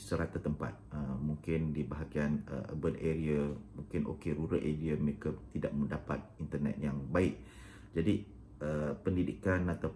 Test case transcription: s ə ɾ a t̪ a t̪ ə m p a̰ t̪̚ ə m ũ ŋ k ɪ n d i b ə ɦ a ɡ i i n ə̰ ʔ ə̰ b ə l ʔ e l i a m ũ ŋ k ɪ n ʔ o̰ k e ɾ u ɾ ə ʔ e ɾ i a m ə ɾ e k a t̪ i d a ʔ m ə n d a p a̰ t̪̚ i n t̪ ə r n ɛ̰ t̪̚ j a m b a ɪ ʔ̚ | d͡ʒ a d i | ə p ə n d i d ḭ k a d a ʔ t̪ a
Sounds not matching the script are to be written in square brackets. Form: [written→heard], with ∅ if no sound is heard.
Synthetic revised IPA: s ə ɾ a t̪ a t̪ ə m p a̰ t̪̚ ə m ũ ŋ k ɪ n d i b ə ɦ a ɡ i [i→a] n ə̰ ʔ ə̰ b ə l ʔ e [l→ɾ] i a m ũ ŋ k ɪ n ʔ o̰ k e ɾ u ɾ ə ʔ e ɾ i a m ə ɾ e k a t̪ i d a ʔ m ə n d a p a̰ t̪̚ i n t̪ ə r n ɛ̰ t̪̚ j a [m→ŋ] b a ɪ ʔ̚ | d͡ʒ a d i | ə p ə n d i d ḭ k a [d→n] a [ʔ→∅] t̪ a